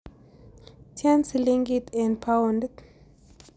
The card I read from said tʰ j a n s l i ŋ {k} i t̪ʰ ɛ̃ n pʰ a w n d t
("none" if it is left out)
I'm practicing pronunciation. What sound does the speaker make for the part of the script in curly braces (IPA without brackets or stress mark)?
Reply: ɡ